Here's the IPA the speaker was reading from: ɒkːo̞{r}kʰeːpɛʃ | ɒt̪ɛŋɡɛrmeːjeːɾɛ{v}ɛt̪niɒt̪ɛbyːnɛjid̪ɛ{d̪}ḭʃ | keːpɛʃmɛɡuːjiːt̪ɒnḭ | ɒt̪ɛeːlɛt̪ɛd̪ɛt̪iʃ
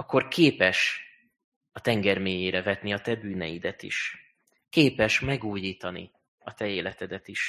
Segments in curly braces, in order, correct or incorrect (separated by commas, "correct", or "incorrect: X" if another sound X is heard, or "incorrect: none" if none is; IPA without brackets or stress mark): correct, correct, incorrect: t̪